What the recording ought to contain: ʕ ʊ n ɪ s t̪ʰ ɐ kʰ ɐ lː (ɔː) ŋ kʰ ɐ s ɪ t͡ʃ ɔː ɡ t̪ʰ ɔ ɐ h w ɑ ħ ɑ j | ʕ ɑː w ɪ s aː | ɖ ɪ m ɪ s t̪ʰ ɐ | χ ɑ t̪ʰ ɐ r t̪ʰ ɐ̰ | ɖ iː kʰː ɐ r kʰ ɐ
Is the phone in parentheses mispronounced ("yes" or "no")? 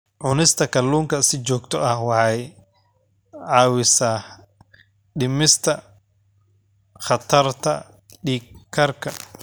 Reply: yes